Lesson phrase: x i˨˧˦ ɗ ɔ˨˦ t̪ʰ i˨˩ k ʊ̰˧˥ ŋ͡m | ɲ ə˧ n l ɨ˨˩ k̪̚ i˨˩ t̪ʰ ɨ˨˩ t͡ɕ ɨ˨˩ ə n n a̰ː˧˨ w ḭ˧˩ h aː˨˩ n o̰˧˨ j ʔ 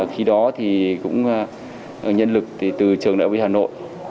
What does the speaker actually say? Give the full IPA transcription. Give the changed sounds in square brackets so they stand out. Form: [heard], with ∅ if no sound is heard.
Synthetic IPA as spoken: x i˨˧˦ ɗ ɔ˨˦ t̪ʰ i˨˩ k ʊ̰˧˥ ŋ͡m | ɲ ə˧ n l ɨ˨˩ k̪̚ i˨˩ [t̪] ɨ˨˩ t͡ɕ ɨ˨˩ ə [ŋ] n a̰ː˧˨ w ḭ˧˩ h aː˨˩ n o̰˧˨ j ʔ

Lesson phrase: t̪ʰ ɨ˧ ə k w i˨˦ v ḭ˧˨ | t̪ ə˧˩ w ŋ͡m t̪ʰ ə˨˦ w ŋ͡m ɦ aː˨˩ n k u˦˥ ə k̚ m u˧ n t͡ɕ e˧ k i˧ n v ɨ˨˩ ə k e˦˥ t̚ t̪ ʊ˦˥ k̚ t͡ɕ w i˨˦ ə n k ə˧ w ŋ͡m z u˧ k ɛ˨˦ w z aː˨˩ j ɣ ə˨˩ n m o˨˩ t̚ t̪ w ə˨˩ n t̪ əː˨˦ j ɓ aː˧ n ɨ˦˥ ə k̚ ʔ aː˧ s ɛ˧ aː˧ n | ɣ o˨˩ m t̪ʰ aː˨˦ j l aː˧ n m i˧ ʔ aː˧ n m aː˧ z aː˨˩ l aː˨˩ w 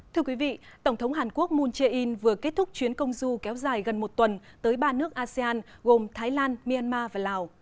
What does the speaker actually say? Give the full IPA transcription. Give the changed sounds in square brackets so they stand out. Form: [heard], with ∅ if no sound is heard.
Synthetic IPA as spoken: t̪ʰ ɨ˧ ə k w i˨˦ v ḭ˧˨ | t̪ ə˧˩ w ŋ͡m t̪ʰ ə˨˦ w ŋ͡m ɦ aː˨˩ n k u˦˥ ə k̚ m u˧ n t͡ɕ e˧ [ʔ] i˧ n v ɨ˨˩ ə k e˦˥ t̚ t̪ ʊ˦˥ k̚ t͡ɕ w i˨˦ ə n k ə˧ w ŋ͡m z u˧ k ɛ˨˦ w z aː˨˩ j ɣ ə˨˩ n m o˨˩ t̚ t̪ w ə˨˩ n t̪ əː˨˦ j ɓ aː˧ n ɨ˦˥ ə k̚ ʔ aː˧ s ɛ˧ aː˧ n | ɣ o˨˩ m t̪ʰ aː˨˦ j l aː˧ n m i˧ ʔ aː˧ n m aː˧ [v] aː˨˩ l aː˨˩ w

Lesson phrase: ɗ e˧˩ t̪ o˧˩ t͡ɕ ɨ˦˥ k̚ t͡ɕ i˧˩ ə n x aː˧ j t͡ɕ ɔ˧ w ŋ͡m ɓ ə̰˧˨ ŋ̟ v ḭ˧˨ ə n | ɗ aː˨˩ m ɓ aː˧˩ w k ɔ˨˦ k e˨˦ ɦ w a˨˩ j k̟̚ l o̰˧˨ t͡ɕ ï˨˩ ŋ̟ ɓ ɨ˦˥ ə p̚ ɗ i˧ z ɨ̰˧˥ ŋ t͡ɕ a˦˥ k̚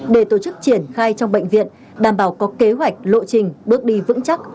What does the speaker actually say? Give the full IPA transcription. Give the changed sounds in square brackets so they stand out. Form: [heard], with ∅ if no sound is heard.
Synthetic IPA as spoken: ɗ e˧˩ t̪ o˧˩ t͡ɕ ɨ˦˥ k̚ t͡ɕ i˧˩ ə n x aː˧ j t͡ɕ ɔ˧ w ŋ͡m ɓ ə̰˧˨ ŋ̟ v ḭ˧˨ ə n | ɗ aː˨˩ m ɓ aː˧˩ w k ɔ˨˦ k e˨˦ ɦ w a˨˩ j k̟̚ l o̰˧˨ t͡ɕ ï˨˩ ŋ̟ ɓ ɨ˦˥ ə [k̚] ɗ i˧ [v] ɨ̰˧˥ ŋ t͡ɕ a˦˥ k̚

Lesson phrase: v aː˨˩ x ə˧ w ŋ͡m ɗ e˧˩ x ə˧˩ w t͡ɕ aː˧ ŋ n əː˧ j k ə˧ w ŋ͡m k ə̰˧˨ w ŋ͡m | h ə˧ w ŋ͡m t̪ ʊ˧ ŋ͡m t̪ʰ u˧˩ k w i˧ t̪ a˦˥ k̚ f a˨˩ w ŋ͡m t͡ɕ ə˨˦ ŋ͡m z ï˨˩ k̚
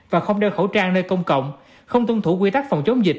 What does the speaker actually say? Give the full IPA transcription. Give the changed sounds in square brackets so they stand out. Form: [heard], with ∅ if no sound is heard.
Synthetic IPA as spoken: v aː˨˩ x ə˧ w ŋ͡m ɗ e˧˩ x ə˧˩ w t͡ɕ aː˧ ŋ n əː˧ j k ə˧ w ŋ͡m k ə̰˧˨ w ŋ͡m | [x] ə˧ w ŋ͡m t̪ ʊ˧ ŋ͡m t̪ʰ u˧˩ k w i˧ t̪ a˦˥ k̚ f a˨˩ w ŋ͡m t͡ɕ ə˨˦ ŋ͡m z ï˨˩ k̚

